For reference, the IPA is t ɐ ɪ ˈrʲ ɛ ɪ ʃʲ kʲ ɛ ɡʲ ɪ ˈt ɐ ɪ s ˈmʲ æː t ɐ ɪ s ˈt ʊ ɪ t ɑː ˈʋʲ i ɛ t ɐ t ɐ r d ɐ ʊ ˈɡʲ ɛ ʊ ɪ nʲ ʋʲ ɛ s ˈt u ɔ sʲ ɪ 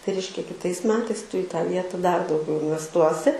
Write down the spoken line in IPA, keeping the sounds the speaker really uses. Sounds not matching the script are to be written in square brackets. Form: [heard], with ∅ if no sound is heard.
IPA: t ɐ ɪ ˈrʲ ɛ ɪ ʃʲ kʲ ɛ [kʲ] ɪ ˈt ɐ ɪ s ˈmʲ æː t ɐ ɪ s ˈt ʊ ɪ t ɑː ˈʋʲ i ɛ t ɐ [d] ɐ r d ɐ ʊ ˈɡʲ ɛ ʊ ɪ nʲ ʋʲ ɛ s ˈt u ɔ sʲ ɪ